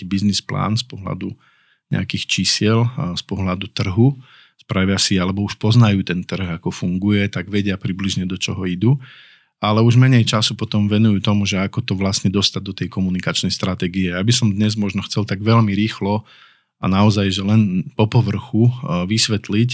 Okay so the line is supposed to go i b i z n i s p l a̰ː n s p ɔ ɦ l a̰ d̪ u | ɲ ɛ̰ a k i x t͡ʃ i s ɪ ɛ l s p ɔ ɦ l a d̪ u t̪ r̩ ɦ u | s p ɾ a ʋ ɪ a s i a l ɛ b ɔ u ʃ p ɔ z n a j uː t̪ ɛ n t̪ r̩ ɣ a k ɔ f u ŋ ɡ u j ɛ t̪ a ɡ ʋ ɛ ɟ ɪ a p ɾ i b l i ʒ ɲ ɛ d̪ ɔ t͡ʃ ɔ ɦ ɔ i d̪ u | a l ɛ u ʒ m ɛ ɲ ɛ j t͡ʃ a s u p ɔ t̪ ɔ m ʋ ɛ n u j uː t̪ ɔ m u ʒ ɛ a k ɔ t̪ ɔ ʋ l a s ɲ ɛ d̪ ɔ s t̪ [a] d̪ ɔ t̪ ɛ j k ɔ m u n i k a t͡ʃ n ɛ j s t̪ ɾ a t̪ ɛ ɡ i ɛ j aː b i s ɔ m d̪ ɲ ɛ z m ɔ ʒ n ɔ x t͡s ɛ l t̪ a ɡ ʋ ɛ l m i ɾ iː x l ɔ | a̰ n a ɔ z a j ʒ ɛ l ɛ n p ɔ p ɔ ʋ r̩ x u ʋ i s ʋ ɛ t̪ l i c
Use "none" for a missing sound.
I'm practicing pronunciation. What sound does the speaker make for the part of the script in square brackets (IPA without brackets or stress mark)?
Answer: a